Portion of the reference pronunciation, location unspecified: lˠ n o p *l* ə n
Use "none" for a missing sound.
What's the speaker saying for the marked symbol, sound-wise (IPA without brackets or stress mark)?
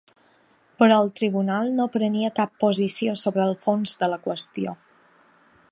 ɾ